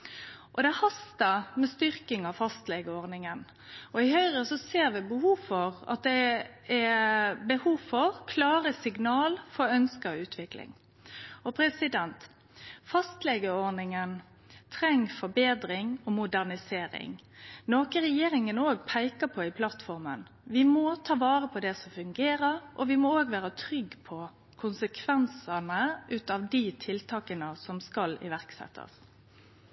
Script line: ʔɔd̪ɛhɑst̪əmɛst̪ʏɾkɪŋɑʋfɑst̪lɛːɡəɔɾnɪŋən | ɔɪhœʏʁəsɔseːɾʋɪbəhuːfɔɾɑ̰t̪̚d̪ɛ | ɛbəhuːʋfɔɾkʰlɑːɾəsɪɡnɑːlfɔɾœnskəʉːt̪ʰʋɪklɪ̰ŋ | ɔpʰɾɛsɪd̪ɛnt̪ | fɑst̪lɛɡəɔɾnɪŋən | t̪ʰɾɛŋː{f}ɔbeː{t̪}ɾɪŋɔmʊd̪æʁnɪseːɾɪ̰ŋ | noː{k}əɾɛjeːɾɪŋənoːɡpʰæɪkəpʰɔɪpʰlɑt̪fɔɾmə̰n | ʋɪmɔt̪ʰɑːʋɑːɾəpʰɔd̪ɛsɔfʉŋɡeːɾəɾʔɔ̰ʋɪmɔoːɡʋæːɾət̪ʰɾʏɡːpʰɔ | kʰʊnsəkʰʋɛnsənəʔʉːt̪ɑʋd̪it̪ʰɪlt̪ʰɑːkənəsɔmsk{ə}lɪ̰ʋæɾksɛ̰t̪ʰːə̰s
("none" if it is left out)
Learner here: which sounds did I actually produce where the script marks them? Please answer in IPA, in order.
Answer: f, d̪, k, ɑ

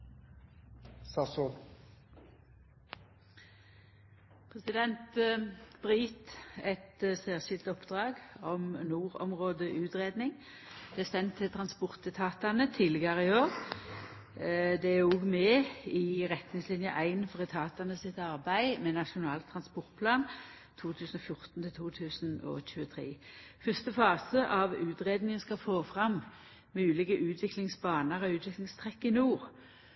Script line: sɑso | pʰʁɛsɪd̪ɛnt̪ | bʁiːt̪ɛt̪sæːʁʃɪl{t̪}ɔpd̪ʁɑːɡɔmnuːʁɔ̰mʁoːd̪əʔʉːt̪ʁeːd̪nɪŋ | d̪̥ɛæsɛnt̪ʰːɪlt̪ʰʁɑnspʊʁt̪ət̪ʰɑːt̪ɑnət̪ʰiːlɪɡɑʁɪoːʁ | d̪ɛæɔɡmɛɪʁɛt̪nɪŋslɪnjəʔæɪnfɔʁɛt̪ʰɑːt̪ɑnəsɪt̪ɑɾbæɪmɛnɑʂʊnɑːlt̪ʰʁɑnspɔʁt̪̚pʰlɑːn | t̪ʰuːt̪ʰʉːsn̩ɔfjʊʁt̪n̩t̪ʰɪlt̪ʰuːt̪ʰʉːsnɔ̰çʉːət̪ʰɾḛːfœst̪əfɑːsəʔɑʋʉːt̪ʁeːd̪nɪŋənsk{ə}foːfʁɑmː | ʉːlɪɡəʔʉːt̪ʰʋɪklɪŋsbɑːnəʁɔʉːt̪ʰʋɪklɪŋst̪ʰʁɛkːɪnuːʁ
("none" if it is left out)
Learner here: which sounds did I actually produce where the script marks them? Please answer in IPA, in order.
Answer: t̪, ɑ

